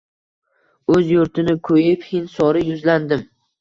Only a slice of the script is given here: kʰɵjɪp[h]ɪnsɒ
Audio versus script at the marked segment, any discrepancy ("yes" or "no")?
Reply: no